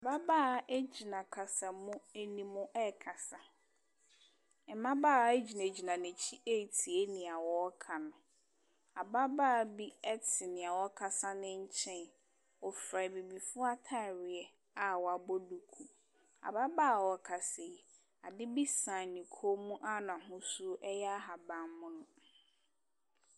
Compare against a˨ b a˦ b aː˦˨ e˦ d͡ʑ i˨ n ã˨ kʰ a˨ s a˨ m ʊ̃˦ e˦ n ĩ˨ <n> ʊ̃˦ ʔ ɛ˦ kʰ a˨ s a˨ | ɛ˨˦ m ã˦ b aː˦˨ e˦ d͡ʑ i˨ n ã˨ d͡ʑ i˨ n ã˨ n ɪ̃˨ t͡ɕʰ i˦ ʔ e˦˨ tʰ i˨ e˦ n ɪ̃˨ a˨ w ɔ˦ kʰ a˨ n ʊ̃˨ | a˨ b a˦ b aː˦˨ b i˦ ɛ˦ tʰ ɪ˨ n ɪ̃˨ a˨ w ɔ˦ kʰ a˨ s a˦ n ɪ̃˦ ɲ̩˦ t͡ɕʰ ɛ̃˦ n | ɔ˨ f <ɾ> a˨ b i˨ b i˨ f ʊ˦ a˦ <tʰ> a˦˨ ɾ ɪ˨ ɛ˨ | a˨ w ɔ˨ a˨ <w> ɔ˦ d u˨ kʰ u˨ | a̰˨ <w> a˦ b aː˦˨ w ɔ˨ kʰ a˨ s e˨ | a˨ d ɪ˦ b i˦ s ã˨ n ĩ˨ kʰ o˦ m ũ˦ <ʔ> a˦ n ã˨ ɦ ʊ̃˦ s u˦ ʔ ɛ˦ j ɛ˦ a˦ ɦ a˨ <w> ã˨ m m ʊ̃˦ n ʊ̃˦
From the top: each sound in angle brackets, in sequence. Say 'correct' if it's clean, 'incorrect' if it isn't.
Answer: incorrect: m, correct, correct, incorrect: b, incorrect: b, correct, incorrect: b

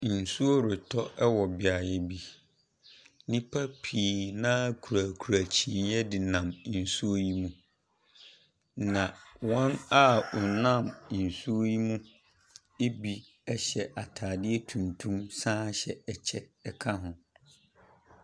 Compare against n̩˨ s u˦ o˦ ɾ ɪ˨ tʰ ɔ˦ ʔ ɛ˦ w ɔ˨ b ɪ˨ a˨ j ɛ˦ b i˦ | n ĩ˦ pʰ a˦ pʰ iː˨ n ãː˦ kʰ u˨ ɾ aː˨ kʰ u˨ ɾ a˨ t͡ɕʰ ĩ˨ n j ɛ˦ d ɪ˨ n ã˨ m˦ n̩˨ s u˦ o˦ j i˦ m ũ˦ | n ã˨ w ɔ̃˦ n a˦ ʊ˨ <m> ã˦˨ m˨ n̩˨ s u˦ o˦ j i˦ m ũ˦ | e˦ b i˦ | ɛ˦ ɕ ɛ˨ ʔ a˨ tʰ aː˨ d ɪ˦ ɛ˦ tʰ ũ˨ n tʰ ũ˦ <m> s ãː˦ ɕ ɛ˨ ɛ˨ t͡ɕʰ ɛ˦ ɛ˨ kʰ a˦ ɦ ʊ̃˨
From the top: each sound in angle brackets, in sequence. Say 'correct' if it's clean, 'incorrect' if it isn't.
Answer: incorrect: n, correct

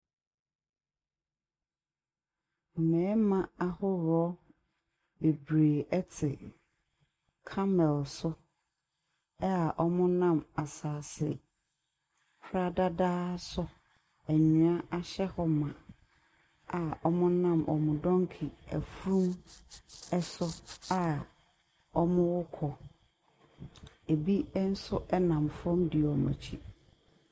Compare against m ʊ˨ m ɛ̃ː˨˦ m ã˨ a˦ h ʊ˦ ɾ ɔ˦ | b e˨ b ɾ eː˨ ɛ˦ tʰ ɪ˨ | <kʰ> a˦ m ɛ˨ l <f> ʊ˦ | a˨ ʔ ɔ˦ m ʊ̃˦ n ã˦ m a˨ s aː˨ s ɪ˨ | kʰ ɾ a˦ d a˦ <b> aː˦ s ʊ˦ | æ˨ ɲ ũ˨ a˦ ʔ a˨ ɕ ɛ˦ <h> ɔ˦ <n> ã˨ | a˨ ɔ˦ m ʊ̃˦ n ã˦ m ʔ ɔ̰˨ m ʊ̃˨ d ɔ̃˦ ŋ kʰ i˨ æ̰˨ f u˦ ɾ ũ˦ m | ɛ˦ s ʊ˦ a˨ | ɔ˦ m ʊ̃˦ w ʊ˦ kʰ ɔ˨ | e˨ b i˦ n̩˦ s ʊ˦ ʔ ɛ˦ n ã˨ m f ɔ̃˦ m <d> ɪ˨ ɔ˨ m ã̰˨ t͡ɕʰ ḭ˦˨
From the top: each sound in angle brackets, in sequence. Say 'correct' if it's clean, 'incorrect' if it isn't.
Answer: correct, incorrect: s, incorrect: d, correct, incorrect: m, correct

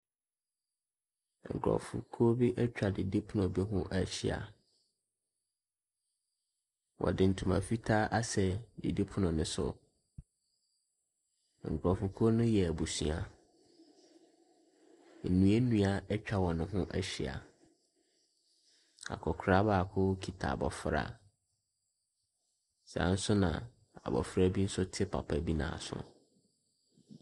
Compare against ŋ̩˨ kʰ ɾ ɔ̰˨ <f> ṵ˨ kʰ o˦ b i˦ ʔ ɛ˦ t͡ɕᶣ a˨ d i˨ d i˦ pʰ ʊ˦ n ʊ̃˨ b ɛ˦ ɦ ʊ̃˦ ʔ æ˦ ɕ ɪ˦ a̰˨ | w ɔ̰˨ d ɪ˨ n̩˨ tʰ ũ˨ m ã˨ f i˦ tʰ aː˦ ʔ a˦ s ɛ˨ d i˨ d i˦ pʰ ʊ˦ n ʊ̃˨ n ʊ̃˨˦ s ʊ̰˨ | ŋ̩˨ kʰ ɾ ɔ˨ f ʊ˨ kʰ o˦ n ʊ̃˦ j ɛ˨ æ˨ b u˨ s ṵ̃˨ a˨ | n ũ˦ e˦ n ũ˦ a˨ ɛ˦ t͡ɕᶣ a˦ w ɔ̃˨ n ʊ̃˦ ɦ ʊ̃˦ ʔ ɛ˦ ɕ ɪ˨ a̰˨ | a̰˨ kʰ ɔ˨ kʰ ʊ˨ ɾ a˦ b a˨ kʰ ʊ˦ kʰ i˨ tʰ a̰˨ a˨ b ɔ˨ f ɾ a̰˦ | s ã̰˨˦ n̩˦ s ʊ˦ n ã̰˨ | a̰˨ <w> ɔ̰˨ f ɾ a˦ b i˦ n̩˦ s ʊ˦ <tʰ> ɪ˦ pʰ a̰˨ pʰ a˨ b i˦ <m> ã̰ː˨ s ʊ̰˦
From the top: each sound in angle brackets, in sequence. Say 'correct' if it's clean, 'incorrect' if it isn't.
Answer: correct, incorrect: b, correct, incorrect: n

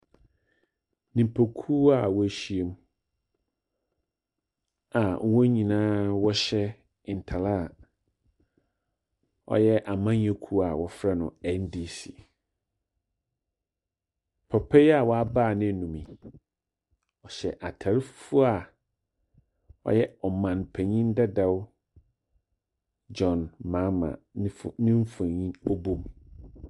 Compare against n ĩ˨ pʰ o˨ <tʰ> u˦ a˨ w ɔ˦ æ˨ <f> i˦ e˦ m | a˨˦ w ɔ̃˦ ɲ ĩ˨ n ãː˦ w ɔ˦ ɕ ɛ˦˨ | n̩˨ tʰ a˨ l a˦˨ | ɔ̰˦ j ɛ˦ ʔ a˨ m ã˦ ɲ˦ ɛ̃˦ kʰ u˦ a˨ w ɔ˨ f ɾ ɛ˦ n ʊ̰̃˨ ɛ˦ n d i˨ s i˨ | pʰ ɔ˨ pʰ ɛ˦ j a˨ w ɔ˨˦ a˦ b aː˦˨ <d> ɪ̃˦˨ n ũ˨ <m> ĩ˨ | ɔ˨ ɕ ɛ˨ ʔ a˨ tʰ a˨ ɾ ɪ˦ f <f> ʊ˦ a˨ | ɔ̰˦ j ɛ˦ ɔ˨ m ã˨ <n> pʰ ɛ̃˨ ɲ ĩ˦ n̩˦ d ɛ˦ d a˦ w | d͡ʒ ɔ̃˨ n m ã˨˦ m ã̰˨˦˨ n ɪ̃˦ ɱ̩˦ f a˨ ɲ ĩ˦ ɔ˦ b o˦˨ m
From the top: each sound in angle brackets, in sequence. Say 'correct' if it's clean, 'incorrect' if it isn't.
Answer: incorrect: kʰ, incorrect: ɕ, incorrect: n, correct, correct, correct

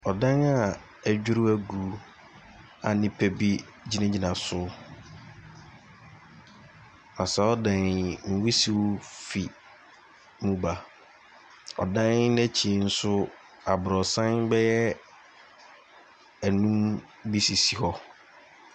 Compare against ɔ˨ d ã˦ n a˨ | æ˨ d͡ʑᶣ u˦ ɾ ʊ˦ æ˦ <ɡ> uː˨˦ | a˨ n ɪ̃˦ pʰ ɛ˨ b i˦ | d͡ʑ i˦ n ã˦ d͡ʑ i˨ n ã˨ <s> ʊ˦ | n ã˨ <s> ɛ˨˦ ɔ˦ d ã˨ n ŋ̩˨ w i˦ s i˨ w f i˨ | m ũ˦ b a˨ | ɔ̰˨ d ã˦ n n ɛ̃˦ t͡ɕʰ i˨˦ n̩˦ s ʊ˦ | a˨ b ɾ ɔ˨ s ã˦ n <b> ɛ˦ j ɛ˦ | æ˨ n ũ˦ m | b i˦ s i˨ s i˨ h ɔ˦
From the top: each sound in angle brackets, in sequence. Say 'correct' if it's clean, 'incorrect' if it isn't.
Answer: correct, correct, correct, correct

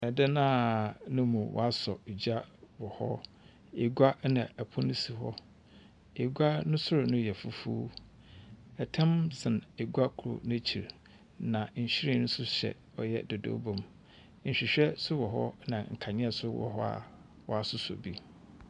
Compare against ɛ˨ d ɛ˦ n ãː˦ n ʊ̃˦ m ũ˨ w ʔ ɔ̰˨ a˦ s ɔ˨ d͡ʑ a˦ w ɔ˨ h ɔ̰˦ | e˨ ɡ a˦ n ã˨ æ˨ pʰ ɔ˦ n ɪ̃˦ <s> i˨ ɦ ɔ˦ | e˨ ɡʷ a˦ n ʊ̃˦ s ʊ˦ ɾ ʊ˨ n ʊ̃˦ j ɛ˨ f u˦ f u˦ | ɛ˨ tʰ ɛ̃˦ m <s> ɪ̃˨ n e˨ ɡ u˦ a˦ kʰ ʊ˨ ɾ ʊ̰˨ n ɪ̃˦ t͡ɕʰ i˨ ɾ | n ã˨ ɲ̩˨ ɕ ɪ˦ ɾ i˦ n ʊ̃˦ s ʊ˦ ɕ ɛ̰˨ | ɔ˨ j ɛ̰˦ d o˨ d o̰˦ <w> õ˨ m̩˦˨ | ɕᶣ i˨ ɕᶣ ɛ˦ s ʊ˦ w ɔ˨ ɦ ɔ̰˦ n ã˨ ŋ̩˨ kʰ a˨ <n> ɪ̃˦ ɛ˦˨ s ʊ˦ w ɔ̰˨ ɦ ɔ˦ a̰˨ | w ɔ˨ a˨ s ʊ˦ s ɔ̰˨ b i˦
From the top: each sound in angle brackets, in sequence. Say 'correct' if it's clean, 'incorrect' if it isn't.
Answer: correct, correct, incorrect: b, incorrect: ɲ

